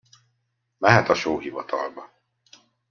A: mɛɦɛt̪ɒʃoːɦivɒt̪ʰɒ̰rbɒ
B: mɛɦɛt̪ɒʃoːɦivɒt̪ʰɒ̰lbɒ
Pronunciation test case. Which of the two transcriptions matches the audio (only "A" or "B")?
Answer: B